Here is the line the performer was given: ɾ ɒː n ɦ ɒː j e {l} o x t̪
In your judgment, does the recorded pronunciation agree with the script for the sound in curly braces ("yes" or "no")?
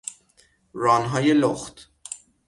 yes